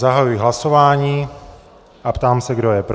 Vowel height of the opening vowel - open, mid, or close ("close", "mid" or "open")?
open